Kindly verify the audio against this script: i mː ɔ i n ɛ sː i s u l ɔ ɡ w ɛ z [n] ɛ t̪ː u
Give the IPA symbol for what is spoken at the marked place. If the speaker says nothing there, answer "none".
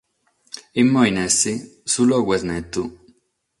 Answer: n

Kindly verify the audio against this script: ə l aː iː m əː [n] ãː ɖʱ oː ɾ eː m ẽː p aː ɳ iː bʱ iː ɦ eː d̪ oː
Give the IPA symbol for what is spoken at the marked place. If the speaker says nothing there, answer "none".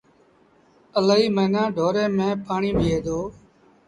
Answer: n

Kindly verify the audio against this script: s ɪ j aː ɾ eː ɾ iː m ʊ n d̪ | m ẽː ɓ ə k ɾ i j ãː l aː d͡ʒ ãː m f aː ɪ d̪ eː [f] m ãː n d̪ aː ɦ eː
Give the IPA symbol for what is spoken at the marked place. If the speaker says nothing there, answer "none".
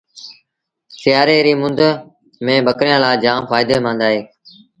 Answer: none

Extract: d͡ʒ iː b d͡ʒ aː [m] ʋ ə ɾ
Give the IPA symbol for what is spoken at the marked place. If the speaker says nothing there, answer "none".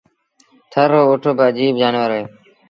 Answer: n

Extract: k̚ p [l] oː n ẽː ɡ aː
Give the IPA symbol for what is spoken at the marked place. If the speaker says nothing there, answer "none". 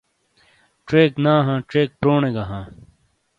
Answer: ɾ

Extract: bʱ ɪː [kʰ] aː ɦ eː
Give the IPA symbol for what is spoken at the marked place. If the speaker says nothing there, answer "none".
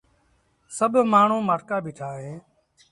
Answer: ʈʰ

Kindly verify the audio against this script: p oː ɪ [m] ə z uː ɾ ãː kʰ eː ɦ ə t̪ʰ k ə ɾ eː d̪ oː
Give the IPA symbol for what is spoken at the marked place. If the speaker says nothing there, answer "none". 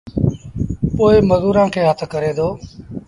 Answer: m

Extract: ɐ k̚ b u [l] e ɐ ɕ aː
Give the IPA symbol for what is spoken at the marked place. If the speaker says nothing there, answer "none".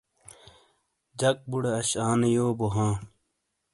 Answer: ɽ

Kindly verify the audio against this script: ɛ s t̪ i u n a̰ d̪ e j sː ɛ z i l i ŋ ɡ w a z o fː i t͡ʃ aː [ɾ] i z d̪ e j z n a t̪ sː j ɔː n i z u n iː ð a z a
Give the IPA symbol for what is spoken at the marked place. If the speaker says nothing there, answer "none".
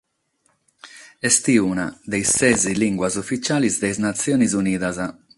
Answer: l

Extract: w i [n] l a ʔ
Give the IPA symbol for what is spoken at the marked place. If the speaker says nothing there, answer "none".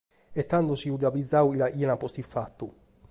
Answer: none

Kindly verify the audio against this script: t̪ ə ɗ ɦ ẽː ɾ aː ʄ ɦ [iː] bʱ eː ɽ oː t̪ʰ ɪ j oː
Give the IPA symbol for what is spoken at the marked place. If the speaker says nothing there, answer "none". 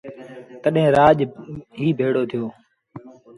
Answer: iː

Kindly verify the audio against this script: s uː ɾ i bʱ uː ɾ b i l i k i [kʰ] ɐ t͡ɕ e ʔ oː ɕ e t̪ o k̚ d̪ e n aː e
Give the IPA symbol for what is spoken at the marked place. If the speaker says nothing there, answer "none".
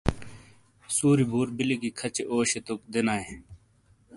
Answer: kʰ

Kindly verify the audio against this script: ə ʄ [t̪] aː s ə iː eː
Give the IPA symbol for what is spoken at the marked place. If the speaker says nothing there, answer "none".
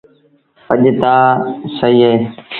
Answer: t̪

